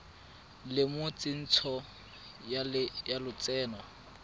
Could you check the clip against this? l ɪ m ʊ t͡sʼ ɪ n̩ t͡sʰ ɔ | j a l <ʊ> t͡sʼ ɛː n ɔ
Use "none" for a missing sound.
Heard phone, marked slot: ʊ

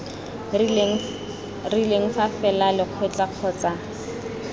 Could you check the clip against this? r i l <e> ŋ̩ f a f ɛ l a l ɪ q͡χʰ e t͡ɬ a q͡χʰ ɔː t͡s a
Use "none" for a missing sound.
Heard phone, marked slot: e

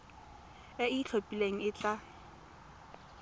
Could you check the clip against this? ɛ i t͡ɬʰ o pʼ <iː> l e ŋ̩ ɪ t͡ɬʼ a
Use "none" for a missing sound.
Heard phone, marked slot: i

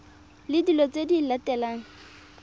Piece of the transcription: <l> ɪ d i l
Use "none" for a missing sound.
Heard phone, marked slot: l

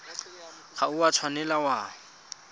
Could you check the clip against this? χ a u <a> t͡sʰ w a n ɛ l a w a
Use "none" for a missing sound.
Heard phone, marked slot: a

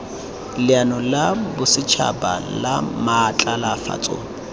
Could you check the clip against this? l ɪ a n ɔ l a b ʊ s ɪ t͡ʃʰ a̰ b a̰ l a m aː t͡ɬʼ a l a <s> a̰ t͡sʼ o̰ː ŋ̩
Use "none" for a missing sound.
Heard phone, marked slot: f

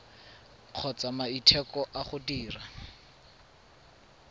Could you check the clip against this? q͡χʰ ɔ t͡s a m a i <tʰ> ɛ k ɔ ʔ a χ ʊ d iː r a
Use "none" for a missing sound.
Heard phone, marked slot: tʰ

